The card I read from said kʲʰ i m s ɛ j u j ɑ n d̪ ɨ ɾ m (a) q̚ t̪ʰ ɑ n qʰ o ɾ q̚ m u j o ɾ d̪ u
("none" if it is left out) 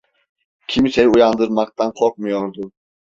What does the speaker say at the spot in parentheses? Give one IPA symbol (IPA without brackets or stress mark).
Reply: ɑ